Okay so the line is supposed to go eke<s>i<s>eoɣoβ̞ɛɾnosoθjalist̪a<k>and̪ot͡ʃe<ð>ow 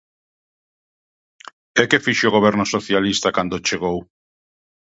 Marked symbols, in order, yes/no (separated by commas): no, no, yes, no